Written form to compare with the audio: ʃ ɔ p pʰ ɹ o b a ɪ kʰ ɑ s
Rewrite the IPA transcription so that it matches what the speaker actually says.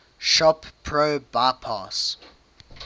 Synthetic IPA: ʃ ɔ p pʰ ɹ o b a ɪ pʰ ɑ s